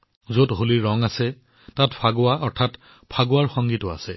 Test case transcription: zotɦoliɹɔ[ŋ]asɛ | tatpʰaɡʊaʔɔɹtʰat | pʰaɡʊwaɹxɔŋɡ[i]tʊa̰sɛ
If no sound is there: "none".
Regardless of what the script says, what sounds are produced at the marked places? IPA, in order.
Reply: ŋ, i

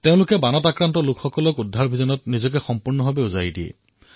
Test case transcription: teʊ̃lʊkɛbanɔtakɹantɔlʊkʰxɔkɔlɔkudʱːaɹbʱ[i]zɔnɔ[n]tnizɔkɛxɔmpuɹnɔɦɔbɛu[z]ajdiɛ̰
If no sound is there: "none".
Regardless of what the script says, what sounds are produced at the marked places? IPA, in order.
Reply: i, none, z

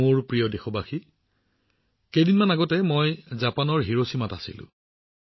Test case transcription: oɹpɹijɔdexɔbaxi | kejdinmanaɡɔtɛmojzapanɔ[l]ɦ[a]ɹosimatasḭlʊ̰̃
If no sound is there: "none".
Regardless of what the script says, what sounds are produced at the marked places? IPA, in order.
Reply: ɹ, i

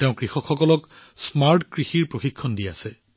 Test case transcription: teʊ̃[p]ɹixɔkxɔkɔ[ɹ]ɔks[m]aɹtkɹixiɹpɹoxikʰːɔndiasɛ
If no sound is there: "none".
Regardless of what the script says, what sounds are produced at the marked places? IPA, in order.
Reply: k, l, m

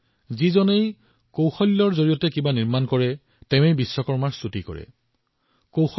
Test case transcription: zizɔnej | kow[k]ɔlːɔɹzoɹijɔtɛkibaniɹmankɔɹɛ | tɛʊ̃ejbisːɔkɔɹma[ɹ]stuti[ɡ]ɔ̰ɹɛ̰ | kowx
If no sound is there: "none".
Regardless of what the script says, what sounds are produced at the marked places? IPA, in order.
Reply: x, ɹ, k

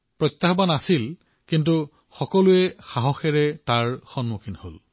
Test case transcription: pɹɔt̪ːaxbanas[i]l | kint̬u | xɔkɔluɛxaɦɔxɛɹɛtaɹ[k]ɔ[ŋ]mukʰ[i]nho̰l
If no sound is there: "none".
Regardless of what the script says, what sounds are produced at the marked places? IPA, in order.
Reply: i, x, n, i

